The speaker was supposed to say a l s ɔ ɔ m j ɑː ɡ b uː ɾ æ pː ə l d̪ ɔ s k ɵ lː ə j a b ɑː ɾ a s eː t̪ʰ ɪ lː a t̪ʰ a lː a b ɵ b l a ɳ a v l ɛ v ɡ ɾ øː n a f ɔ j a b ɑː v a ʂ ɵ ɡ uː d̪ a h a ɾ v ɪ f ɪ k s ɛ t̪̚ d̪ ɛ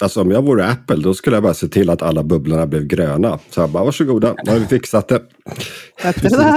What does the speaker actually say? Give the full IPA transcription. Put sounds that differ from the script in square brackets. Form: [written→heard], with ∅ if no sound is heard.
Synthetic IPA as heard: a l s ɔ ɔ m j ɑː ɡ [b→v] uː ɾ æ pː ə l d̪ ɔ s k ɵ lː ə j a b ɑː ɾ a s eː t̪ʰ ɪ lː a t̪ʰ a lː a b ɵ b l a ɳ a [v→b] l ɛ v ɡ ɾ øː n a [f→s] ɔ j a b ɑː v a ʂ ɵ ɡ uː d̪ a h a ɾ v ɪ f ɪ k s [ɛ→a] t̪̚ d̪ ɛ